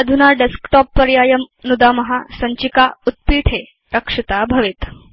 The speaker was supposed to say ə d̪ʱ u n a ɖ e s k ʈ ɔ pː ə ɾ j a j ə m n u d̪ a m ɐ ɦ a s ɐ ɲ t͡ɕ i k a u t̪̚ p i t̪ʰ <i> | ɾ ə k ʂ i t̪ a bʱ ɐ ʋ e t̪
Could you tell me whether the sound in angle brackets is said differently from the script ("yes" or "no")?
yes